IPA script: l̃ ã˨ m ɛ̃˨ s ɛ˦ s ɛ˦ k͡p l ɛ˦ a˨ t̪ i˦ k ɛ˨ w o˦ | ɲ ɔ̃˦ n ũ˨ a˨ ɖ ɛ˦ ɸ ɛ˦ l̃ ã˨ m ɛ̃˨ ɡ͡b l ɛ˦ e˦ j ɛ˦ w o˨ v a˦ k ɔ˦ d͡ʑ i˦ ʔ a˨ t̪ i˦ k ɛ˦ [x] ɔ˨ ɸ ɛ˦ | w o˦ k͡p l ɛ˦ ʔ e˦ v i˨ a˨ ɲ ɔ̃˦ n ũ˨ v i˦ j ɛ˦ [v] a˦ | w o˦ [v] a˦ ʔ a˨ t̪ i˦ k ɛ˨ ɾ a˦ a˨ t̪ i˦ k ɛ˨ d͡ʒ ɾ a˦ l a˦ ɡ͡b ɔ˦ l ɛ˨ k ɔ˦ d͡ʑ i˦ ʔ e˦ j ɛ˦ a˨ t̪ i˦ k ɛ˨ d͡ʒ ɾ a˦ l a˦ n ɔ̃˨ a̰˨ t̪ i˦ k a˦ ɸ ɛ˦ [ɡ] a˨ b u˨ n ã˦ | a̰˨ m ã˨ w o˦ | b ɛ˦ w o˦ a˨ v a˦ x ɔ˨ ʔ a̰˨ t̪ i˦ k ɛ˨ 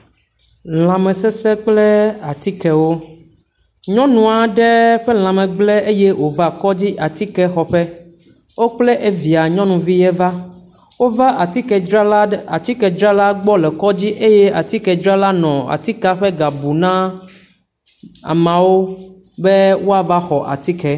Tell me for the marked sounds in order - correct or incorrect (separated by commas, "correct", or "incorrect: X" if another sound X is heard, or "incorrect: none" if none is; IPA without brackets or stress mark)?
correct, correct, correct, correct